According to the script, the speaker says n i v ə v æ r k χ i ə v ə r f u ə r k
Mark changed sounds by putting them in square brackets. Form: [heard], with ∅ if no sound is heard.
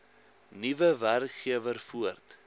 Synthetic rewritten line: n i v ə v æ r k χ i ə v ə r f u ə r [t]